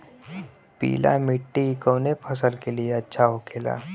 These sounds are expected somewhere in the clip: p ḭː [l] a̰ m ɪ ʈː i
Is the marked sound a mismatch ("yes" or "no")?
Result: no